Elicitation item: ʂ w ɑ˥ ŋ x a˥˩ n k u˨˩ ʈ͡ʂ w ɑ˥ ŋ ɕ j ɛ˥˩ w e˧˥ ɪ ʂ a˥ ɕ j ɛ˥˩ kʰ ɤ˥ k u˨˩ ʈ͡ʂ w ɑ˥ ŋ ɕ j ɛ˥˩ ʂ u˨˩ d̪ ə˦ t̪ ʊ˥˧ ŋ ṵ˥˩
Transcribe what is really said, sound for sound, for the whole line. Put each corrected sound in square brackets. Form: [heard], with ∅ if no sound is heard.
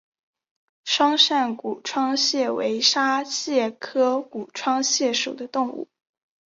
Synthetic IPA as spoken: ʂ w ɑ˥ ŋ [ʂ] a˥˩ n k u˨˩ [ʈ͡ʂʰ] w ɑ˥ ŋ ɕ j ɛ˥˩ w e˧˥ ɪ ʂ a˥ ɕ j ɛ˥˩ kʰ ɤ˥ k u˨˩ [ʈ͡ʂʰ] w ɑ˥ ŋ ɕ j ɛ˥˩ ʂ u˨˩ d̪ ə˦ t̪ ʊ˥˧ ŋ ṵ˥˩